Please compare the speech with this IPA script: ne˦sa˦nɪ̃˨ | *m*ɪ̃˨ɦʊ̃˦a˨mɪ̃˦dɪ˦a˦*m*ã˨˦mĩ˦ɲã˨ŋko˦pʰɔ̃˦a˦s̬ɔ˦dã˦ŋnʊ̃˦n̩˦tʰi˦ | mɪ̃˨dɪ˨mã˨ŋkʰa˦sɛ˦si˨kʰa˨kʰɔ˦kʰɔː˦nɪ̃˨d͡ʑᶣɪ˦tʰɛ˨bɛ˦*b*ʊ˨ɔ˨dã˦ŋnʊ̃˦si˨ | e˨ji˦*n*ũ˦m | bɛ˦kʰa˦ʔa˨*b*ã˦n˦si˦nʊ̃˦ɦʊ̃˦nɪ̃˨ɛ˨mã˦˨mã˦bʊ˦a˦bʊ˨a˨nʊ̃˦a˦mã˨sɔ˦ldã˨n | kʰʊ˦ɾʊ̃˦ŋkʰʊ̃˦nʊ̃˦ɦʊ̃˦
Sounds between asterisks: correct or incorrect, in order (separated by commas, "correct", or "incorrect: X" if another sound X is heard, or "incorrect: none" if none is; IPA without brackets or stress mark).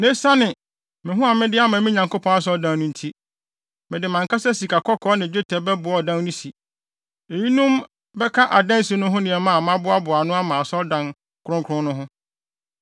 correct, correct, correct, correct, incorrect: d